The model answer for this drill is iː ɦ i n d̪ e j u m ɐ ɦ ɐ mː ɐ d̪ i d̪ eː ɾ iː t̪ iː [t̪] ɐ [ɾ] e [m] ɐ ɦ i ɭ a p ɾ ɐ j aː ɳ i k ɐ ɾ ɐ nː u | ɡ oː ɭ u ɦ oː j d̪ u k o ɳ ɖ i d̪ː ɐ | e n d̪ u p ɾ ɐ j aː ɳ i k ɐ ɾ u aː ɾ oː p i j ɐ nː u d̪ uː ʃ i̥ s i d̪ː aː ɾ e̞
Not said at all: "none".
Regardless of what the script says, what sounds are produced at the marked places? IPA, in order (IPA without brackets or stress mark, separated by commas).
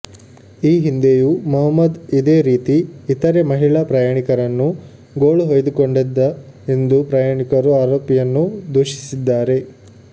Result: t̪, ɾ, m